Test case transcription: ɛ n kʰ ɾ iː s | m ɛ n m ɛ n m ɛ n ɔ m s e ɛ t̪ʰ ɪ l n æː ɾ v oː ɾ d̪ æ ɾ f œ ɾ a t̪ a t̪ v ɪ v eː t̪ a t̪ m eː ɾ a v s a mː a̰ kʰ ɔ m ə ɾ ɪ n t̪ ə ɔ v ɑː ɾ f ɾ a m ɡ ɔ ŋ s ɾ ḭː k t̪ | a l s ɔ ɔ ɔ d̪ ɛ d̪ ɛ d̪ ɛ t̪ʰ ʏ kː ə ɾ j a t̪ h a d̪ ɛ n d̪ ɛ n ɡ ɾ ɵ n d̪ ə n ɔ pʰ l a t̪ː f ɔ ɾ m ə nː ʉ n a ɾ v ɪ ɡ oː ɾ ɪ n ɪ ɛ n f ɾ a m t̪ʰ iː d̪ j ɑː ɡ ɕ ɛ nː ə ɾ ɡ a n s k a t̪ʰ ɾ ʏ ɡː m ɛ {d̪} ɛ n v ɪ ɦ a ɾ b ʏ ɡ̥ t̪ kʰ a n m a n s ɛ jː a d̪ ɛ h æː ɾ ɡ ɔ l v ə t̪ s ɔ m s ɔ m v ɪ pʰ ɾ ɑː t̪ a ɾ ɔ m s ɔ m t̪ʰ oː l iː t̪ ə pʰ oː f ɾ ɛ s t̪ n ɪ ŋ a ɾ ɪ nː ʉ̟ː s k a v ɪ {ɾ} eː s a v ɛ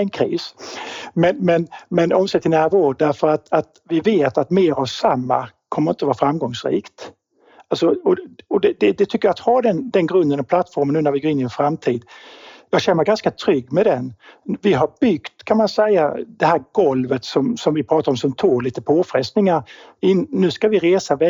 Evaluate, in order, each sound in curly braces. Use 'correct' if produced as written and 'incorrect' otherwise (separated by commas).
correct, correct